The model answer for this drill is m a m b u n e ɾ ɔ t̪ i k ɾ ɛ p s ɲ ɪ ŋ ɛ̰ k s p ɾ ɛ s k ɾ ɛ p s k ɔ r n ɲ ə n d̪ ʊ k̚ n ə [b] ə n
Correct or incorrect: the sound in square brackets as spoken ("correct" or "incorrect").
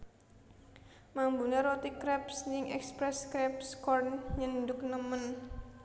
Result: incorrect